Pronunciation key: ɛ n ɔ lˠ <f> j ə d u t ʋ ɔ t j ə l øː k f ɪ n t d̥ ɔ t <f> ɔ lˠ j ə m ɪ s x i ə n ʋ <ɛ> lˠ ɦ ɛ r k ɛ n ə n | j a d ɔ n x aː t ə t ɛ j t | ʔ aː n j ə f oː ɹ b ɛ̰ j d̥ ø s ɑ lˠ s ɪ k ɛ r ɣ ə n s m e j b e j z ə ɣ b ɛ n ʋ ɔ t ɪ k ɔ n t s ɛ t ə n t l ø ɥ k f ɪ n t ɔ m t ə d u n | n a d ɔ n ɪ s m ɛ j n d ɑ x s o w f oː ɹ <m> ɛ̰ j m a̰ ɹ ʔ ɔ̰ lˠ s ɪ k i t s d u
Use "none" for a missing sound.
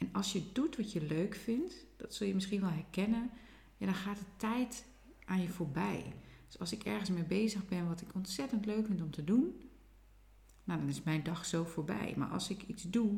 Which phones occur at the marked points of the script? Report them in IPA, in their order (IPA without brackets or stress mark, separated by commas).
s, s, ɛ, b